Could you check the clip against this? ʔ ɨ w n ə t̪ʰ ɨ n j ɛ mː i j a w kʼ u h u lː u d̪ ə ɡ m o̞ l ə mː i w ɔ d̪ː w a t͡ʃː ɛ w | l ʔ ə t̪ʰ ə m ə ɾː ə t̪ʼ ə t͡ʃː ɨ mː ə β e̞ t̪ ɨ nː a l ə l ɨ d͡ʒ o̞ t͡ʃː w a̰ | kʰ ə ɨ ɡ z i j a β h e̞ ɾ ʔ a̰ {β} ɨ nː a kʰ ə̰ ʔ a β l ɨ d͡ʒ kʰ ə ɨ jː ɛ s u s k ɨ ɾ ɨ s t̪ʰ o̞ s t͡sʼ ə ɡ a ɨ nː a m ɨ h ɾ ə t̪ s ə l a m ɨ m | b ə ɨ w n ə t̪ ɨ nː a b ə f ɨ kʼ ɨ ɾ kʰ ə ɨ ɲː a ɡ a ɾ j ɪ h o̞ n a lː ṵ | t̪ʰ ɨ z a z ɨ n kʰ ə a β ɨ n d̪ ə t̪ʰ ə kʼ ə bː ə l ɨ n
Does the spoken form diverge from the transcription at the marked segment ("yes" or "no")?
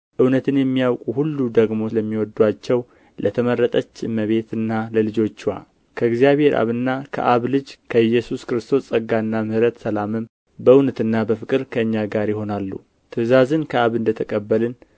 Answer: no